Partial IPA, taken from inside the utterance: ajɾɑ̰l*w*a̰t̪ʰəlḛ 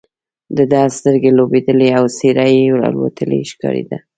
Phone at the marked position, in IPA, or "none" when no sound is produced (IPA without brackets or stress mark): w